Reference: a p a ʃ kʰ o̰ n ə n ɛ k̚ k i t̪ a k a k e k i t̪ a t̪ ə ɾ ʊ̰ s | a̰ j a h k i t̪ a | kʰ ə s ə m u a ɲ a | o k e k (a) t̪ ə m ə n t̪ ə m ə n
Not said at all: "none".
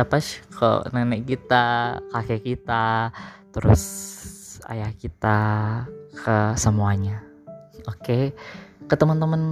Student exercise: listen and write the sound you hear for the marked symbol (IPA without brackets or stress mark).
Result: ə